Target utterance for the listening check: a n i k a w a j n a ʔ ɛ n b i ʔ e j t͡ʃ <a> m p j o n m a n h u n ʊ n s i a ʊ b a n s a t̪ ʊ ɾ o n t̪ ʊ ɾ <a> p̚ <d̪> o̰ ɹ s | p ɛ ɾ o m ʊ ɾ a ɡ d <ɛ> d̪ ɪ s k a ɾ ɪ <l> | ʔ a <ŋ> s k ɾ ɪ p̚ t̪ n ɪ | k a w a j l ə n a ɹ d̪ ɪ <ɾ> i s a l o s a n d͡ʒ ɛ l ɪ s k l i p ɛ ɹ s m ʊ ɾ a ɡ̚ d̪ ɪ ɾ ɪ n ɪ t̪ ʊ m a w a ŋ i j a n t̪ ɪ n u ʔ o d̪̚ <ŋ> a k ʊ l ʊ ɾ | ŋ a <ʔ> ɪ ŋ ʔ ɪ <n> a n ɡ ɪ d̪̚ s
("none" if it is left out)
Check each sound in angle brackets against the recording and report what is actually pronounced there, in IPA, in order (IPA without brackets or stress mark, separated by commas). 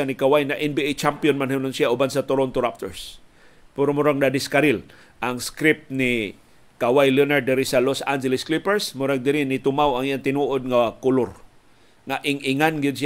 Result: a, a, t̪, a, l, ŋ, ɾ, ŋ, ʔ, ŋ